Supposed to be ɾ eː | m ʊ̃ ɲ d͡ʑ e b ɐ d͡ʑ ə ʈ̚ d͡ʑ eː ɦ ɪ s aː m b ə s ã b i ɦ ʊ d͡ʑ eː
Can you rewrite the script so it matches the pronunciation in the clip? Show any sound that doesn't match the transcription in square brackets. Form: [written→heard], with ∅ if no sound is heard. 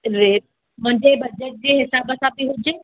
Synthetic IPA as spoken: ɾ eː | m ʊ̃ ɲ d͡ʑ e b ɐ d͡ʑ ə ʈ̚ d͡ʑ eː ɦ ɪ s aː [m→∅] b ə s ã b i ɦ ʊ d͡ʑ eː